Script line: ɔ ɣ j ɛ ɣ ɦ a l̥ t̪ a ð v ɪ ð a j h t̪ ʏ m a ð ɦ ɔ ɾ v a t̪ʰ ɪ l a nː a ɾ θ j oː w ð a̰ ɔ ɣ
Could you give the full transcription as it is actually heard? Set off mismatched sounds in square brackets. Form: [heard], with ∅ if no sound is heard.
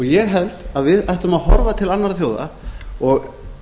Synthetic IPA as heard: ɔ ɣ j ɛ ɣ ɦ [ɛ] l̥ t̪ a ð v ɪ ð a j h t̪ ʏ m a ð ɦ ɔ ɾ v a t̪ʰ ɪ l a nː a ɾ θ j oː w ð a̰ ɔ ɣ